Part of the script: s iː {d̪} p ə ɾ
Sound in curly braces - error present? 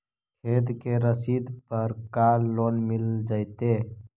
no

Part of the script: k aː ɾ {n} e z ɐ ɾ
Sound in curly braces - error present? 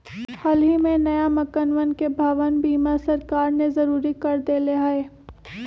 no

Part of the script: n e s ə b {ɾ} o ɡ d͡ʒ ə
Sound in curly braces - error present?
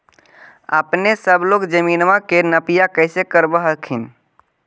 yes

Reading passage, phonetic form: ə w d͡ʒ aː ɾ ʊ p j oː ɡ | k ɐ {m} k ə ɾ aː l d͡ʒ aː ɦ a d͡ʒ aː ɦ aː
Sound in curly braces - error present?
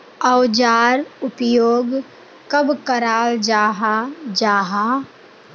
yes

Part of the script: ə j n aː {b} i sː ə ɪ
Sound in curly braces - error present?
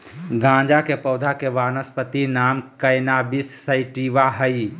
no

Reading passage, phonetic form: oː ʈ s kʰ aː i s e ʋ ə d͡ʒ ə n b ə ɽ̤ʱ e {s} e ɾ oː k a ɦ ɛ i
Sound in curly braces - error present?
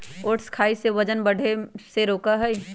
no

